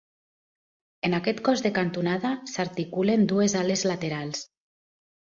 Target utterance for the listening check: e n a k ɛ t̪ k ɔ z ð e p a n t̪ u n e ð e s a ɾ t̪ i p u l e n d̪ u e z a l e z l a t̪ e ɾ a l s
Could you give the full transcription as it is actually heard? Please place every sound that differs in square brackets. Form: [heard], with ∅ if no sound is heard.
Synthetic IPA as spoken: e n a k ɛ t̪ k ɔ z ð e [k] a n t̪ u n [a] ð [a] s a ɾ t̪ i [k] u l e n d̪ u e z a l e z l a t̪ e ɾ a l s